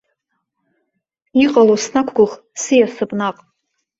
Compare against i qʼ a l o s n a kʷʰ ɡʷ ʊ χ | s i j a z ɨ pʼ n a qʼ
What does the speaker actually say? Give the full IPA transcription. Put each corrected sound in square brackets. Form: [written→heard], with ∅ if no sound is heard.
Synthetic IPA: i qʼ a l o s n a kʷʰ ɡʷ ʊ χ | s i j a [z→s] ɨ pʼ n a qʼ